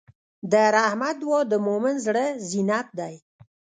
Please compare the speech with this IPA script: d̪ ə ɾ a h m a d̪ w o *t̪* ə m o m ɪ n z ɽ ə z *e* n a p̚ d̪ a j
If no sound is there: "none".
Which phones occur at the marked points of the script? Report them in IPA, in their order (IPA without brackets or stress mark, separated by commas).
d̪, i